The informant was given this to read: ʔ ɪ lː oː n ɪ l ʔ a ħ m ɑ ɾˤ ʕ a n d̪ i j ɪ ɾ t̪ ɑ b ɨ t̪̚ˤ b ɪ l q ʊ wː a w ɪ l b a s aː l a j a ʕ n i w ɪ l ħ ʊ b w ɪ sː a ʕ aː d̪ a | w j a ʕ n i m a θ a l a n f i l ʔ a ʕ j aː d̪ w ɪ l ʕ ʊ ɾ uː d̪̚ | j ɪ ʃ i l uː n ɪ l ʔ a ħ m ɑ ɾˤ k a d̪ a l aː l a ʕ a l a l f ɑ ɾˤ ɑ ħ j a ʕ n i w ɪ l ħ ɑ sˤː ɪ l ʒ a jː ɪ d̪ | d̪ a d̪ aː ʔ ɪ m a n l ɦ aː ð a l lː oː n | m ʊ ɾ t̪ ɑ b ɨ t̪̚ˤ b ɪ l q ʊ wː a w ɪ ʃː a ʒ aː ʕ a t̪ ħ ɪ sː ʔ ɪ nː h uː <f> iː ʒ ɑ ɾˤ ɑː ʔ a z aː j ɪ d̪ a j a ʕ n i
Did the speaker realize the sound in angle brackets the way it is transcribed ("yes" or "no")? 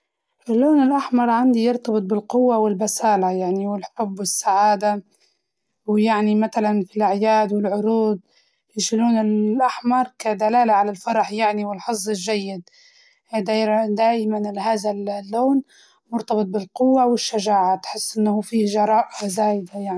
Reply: yes